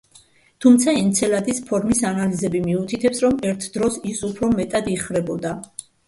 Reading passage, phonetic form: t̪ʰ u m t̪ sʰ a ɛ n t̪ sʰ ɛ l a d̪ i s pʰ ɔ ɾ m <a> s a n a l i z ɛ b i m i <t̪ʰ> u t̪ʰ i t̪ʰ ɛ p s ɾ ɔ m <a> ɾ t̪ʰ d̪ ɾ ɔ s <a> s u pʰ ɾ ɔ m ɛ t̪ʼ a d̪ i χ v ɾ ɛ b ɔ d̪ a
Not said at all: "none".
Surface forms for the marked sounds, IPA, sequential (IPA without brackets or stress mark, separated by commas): i, none, ɛ, i